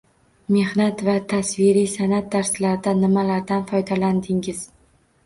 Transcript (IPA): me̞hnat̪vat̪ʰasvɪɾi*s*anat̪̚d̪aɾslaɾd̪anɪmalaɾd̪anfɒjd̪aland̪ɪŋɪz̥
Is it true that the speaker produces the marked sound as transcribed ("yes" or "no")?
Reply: yes